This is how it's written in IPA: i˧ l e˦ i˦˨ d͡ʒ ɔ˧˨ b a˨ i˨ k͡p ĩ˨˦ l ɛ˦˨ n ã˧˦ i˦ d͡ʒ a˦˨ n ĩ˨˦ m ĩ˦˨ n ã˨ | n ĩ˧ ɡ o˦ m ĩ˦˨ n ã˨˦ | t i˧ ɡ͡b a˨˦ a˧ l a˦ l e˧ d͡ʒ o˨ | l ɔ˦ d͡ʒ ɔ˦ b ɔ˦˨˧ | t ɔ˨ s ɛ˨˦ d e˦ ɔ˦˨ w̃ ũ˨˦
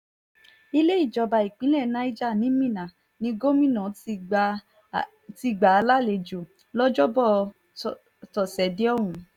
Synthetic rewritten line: i˧ l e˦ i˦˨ d͡ʒ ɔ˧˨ b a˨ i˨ k͡p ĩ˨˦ l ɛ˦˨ n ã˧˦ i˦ d͡ʒ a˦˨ n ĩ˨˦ m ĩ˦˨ n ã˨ | n ĩ˧ ɡ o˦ m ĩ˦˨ n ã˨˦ | t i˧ ɡ͡b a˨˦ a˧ l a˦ l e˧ d͡ʒ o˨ | l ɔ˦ d͡ʒ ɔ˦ b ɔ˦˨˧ | t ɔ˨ s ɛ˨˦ d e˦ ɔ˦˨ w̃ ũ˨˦